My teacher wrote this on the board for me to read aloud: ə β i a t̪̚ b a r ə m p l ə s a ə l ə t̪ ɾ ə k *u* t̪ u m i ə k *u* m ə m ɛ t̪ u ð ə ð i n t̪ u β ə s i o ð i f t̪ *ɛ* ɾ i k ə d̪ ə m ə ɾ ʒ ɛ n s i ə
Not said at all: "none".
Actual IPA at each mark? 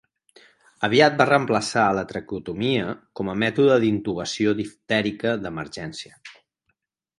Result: u, ɔ, ɛ

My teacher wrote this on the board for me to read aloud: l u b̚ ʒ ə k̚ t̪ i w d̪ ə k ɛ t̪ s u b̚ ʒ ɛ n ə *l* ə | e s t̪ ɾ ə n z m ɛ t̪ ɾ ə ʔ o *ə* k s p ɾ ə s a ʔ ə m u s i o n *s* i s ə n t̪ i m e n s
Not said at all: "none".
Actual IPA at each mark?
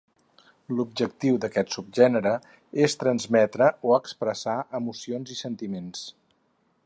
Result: ɾ, ə, z

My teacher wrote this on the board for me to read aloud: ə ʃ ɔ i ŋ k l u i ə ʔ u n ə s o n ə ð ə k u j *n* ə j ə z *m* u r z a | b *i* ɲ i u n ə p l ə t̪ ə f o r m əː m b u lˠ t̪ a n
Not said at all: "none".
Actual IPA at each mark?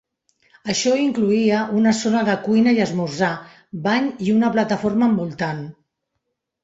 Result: n, m, a

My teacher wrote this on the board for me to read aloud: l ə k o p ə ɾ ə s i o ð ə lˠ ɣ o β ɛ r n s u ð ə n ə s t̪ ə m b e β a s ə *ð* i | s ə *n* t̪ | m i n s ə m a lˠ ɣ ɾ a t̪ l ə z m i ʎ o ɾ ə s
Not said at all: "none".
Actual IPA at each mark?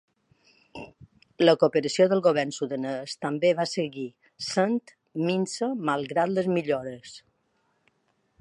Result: ɣ, n

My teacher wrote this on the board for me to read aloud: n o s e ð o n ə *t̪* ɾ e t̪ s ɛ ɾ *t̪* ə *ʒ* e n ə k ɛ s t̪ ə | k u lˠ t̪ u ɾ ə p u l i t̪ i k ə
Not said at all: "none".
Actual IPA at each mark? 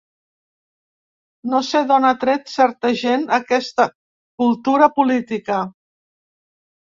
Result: t̪, t̪, ʒ

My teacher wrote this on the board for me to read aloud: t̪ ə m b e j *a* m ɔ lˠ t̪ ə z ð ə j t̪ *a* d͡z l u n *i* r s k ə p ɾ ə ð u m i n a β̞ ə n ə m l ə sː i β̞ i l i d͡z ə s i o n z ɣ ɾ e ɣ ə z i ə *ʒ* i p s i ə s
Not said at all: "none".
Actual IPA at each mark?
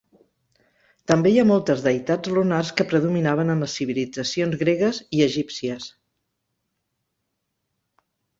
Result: a, a, a, ʒ

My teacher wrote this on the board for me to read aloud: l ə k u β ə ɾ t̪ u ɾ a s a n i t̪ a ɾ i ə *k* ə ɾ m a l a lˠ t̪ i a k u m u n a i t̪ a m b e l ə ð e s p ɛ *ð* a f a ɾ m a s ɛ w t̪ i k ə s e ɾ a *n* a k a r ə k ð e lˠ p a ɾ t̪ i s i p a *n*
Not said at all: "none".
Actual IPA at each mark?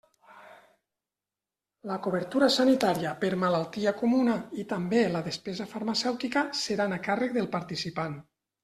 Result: p, z, n, n

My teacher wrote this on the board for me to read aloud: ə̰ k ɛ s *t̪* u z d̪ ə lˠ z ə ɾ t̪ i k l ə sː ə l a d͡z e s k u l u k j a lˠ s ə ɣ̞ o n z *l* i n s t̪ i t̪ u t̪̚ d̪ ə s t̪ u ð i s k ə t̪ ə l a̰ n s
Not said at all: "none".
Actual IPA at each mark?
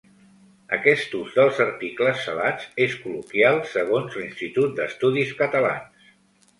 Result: t̪, l

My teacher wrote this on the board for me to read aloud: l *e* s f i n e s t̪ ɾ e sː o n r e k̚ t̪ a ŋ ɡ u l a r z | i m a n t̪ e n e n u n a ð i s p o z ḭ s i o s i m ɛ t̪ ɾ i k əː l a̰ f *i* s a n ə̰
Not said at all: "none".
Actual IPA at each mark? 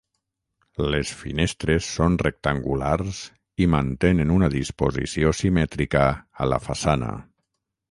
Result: e, a

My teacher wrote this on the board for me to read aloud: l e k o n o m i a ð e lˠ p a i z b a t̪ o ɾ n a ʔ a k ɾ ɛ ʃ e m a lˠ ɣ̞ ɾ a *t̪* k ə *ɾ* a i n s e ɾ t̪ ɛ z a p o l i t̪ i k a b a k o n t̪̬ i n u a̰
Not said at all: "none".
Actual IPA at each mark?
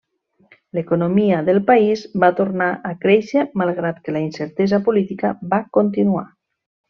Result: t̪, l

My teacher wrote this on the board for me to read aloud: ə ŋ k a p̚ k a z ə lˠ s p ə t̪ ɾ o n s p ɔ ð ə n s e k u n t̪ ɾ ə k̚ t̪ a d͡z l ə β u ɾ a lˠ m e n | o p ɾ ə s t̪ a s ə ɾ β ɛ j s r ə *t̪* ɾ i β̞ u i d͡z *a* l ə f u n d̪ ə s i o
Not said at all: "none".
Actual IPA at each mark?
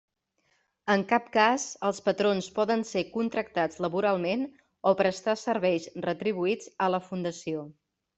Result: t̪, ə

